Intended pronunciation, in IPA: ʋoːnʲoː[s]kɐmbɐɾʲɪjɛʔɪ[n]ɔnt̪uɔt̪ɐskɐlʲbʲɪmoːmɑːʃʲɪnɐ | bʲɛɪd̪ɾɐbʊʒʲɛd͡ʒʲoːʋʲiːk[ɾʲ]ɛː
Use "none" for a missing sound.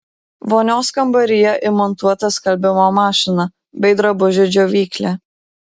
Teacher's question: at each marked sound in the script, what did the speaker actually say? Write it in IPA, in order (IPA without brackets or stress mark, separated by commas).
s, m, lʲ